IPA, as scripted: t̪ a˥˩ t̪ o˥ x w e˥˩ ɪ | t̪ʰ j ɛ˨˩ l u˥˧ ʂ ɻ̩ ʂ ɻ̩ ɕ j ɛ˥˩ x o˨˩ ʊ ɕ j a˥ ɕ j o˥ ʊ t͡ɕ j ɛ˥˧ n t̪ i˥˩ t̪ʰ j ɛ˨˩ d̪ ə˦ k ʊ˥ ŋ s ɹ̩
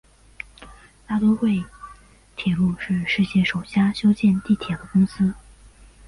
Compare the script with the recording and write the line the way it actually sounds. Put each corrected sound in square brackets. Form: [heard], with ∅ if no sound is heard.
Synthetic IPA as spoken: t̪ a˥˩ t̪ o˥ x w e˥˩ ɪ | t̪ʰ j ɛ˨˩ l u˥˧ ʂ ɻ̩ ʂ ɻ̩ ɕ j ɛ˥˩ [ʂ] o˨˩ ʊ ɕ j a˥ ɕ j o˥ ʊ t͡ɕ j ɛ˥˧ n t̪ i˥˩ t̪ʰ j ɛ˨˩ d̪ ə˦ k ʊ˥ ŋ s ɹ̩